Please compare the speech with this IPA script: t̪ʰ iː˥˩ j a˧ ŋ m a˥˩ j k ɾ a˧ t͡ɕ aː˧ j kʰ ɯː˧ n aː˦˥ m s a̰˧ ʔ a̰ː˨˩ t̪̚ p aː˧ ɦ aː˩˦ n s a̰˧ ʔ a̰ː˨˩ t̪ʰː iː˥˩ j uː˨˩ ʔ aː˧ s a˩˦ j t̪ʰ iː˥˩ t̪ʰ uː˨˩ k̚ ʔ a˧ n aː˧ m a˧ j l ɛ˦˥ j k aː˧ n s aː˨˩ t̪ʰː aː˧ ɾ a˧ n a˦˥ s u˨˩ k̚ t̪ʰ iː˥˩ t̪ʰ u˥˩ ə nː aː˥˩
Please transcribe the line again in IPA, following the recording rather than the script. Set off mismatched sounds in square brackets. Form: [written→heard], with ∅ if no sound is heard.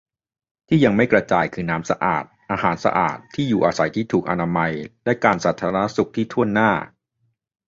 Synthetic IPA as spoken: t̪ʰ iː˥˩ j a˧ ŋ m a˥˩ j k ɾ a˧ t͡ɕ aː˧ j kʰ ɯː˧ n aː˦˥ m s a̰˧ ʔ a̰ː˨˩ t̪̚ [p→ʔ] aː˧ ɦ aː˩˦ n s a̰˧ ʔ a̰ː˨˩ t̪ʰː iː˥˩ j uː˨˩ ʔ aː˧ s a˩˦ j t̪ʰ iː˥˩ t̪ʰ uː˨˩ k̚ ʔ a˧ n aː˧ m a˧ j l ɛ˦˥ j k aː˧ n s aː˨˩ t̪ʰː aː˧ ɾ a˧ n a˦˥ s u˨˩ k̚ t̪ʰ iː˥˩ t̪ʰ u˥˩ ə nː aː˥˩